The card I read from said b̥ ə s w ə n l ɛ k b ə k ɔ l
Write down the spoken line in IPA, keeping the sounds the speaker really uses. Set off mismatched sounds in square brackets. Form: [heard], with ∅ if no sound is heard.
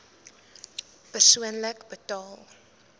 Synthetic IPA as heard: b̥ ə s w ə n l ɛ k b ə [t] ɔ l